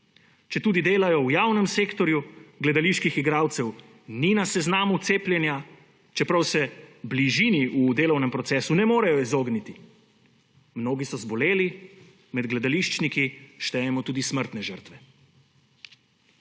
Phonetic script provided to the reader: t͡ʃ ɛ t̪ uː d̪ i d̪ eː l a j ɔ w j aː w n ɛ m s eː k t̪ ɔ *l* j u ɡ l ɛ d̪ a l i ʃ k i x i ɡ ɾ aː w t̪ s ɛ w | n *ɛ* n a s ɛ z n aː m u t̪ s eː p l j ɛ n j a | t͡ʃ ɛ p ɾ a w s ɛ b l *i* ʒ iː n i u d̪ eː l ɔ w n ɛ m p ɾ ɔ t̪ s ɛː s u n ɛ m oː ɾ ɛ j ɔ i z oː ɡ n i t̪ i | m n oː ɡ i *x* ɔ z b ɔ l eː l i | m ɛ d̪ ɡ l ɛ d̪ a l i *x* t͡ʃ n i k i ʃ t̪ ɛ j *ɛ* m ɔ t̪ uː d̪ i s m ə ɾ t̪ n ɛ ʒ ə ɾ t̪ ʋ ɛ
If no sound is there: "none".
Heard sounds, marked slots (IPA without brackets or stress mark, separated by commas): ɾ, i, i, s, ʃ, ɛ